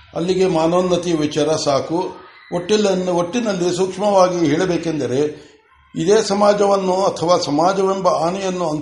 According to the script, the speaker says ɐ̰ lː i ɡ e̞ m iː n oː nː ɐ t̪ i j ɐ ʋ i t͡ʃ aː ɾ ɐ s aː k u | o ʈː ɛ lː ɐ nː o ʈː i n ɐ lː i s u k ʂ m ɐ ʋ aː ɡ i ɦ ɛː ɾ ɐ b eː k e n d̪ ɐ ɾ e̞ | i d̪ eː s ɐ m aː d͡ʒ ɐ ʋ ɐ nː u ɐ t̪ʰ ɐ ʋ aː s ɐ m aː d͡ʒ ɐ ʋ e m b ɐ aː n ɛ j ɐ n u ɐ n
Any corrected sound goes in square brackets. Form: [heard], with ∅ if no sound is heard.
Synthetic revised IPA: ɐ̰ lː i ɡ e̞ m [aː] n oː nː ɐ t̪ i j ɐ ʋ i t͡ʃ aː ɾ ɐ s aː k u | o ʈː [i] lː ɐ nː o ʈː i n ɐ lː i s u k ʂ m ɐ ʋ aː ɡ i ɦ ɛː [ɭ] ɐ b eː k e n d̪ ɐ ɾ e̞ | i d̪ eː s ɐ m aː d͡ʒ ɐ ʋ ɐ nː u ɐ t̪ʰ ɐ ʋ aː s ɐ m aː d͡ʒ ɐ ʋ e m b ɐ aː n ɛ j ɐ [nː] u ɐ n